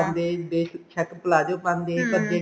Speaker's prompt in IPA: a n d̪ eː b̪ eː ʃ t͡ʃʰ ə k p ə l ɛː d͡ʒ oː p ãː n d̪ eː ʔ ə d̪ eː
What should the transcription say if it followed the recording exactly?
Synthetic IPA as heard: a n d̪ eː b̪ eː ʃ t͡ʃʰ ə k p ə l aː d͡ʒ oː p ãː n d̪ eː k ə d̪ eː